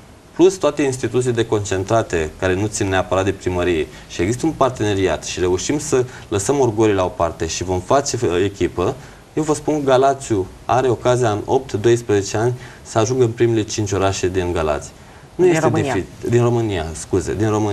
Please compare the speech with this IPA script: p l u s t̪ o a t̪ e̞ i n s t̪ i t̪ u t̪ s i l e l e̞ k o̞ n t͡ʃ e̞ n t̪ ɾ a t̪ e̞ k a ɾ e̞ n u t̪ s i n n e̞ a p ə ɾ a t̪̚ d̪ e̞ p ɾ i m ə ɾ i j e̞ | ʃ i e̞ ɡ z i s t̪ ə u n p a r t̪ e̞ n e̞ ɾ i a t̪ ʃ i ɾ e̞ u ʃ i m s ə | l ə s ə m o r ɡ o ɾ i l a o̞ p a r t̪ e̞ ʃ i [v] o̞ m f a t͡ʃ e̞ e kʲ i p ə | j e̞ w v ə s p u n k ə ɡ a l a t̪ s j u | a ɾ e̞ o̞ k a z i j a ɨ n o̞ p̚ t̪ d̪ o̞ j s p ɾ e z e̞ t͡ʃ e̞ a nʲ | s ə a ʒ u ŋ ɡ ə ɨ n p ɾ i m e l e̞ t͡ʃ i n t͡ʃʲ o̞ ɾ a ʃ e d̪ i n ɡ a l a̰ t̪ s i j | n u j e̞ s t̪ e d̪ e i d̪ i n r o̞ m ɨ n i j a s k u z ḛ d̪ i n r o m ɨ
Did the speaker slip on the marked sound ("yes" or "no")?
no